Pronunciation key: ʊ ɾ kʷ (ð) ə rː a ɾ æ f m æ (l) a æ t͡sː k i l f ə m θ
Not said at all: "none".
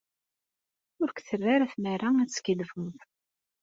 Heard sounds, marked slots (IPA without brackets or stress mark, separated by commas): θ, ɾ